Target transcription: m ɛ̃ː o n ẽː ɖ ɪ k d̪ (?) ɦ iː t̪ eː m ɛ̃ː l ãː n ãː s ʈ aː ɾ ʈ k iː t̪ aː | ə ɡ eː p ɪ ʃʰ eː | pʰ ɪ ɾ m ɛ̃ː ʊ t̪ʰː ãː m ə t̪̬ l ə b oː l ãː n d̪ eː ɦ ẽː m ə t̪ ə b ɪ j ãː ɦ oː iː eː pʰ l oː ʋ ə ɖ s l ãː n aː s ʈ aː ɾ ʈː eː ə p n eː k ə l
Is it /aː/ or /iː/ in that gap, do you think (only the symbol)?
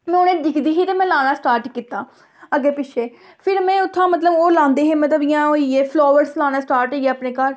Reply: iː